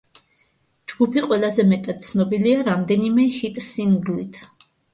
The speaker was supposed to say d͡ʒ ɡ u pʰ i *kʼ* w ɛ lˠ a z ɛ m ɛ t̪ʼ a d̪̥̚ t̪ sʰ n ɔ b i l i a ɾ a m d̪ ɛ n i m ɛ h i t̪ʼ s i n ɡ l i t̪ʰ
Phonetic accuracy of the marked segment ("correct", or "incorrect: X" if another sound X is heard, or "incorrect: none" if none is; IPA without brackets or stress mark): incorrect: qʼ